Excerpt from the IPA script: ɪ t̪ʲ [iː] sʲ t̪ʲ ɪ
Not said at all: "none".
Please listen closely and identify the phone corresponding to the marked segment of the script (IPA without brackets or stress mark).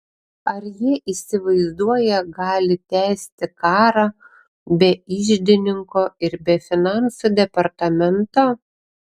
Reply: æː